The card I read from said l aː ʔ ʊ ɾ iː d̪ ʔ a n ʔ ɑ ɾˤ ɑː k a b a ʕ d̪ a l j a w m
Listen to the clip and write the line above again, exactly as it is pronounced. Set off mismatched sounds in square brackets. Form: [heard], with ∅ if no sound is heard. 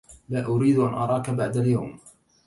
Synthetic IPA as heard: l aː ʔ ʊ ɾ iː d̪ ʔ a n ʔ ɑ ɾˤ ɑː k a b a ʕ d̪ a l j a w m